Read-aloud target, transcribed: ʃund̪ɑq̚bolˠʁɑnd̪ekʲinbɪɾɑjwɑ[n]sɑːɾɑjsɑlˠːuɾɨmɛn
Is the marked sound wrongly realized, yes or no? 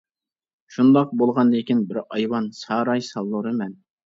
no